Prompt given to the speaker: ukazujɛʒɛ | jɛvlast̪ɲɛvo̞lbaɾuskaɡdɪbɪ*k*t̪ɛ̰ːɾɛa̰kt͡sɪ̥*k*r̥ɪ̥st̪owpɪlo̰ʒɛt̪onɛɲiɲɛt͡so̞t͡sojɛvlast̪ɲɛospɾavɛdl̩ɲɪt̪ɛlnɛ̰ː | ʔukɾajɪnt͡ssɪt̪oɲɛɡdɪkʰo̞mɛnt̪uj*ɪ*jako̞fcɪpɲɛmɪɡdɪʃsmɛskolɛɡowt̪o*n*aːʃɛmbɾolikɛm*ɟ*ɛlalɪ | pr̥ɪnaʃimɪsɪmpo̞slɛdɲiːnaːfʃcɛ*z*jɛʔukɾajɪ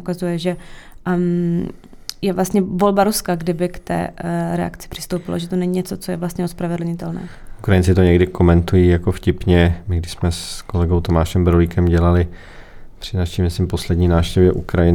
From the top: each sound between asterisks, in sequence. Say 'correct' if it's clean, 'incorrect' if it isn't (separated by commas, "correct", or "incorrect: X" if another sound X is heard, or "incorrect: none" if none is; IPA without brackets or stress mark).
correct, incorrect: p, incorrect: i, incorrect: m, correct, incorrect: v